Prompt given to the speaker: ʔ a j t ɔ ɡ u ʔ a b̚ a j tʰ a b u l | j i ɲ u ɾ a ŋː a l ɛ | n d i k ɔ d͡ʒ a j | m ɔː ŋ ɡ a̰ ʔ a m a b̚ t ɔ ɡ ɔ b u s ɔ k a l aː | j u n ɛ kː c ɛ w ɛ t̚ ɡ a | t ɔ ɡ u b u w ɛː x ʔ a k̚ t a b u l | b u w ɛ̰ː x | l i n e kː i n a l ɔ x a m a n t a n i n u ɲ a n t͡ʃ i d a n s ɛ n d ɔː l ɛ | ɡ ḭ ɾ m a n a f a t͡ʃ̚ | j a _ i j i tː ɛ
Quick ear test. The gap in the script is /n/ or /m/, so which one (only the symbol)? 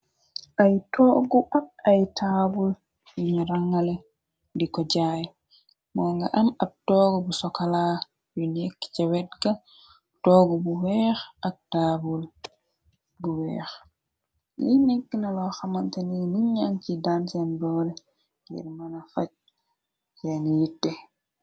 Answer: n